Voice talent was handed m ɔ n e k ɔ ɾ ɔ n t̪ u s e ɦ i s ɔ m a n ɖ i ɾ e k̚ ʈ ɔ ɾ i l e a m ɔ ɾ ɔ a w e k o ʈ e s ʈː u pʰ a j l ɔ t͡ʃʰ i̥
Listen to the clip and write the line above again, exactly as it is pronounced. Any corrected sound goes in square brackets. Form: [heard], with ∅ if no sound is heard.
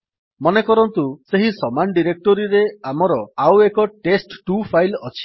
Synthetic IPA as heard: m ɔ n e k ɔ ɾ ɔ n t̪ u s e ɦ i s ɔ m a n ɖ i ɾ e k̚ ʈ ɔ ɾ i [ɾ] e a m ɔ ɾ ɔ a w e k [ɔ] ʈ e s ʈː u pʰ a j l ɔ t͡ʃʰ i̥